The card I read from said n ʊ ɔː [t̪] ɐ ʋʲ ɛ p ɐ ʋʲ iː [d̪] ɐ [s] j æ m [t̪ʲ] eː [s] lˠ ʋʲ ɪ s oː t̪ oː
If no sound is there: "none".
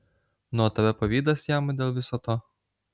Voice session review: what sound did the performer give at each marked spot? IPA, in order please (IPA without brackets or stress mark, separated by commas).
t̪, d̪, s, d̪ʲ, none